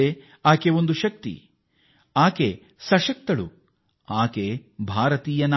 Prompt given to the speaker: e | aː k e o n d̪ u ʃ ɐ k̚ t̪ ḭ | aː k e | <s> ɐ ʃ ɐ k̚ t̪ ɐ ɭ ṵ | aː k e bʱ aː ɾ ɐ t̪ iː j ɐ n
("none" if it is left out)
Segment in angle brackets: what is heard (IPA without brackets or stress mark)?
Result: s